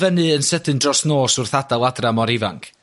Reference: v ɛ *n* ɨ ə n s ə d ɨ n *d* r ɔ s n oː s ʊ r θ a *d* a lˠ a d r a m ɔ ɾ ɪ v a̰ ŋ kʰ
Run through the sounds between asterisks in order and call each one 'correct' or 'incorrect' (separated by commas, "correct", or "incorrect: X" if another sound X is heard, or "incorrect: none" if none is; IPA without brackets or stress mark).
correct, correct, correct